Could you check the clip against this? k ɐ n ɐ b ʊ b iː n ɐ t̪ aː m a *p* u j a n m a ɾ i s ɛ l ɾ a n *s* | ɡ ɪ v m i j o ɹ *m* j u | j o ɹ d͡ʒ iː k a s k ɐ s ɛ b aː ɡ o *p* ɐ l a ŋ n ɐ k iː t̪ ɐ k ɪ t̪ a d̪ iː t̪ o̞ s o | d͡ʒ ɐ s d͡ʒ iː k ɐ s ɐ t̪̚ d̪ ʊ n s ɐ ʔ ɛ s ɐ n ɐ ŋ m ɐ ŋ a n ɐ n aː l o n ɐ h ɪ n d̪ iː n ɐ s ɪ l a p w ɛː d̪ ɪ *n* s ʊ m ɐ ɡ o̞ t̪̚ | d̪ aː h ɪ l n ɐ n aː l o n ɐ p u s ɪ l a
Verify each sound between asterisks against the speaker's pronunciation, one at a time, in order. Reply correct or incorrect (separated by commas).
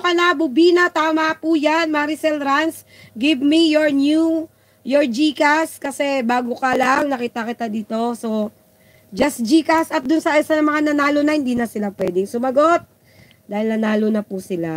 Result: correct, correct, incorrect, incorrect, incorrect